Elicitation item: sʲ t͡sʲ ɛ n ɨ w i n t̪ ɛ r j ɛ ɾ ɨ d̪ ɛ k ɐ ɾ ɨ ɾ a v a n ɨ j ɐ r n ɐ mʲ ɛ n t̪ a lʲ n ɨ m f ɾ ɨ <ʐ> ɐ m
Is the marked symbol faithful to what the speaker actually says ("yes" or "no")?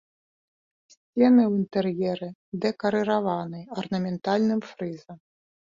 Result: no